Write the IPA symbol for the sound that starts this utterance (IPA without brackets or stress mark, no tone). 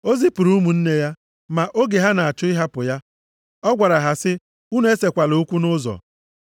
o